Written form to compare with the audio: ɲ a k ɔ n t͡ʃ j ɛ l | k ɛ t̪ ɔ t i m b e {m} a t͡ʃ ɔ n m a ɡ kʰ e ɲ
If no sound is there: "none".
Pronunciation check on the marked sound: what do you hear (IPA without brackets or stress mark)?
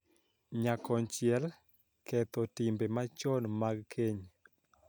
m